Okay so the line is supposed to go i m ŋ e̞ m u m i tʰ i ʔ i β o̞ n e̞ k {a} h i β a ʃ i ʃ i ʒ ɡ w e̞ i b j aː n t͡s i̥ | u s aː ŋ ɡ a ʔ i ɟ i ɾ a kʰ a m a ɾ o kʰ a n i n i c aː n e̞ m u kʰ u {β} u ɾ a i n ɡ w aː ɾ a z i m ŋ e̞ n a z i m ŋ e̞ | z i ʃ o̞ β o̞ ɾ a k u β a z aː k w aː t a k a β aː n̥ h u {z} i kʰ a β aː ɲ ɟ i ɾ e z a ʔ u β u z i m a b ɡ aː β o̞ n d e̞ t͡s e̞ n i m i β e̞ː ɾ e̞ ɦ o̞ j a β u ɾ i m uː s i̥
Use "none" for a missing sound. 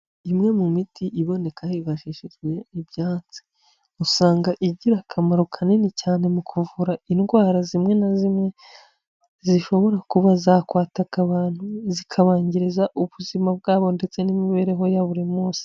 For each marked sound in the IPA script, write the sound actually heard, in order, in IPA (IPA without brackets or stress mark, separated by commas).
a, v, z